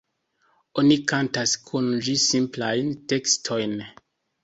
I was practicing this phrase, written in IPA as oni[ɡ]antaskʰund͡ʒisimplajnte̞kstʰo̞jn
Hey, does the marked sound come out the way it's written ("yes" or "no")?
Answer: no